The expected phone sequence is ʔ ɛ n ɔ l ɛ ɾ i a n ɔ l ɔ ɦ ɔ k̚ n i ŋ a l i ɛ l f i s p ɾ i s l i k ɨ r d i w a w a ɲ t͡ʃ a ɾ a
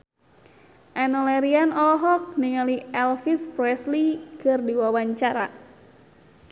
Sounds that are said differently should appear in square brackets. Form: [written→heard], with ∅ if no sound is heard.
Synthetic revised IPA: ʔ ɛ n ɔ l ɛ ɾ i a n ɔ l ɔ ɦ ɔ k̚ n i ŋ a l i ɛ l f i s p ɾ [i→ɛ] s l i k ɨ r d i w a w a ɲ t͡ʃ a ɾ a